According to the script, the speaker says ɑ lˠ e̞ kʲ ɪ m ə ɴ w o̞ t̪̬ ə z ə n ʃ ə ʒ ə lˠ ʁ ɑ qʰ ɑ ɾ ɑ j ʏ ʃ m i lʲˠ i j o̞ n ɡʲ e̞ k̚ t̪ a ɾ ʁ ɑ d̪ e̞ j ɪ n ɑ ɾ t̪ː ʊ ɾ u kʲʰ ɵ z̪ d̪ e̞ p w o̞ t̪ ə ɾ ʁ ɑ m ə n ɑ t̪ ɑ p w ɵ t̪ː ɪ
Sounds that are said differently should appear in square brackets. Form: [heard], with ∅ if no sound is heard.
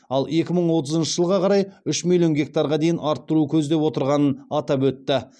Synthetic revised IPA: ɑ lˠ e̞ kʲ ɪ m ə ɴ w o̞ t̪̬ ə z ə n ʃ ə ʒ ə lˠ ʁ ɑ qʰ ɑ ɾ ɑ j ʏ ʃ m i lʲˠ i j o̞ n ɡʲ e̞ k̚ t̪ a ɾ ʁ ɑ d̪ e̞ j ɪ n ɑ ɾ t̪ː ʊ ɾ u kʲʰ ɵ z̪ d̪ e̞ p w o̞ t̪ ə ɾ ʁ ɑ [n] ə n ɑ t̪ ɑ p w ɵ t̪ː ɪ